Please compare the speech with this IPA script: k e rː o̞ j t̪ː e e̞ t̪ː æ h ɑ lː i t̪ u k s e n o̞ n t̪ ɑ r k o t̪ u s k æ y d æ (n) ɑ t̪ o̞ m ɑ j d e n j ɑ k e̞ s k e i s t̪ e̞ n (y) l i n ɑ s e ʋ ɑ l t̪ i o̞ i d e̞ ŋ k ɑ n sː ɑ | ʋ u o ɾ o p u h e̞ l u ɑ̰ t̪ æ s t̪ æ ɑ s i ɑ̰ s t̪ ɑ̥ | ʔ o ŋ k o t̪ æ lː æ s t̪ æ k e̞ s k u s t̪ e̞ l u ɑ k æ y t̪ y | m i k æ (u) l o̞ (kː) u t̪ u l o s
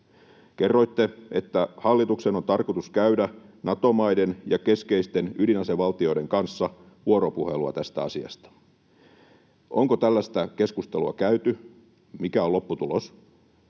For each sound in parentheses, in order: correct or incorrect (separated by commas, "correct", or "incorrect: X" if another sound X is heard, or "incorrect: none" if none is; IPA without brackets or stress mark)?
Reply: correct, correct, incorrect: o, incorrect: pː